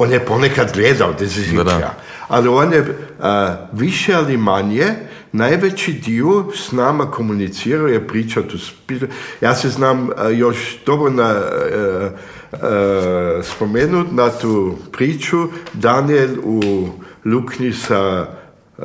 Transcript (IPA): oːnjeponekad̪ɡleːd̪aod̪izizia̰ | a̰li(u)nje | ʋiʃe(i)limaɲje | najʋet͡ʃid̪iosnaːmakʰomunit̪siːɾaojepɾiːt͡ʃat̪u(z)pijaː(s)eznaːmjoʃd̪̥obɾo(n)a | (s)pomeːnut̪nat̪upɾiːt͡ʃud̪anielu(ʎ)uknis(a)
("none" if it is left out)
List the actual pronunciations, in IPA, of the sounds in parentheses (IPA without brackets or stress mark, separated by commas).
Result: o, a, s, s, n, s, l, a